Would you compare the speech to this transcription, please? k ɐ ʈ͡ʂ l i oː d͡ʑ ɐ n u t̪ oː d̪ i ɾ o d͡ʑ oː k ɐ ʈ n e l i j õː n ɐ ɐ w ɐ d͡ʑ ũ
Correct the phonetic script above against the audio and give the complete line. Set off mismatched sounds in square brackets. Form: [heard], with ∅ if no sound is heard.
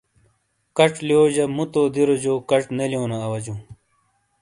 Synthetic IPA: k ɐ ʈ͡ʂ l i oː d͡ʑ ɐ [m] u t̪ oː d̪ i ɾ o d͡ʑ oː k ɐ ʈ n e l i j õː n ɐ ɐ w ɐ d͡ʑ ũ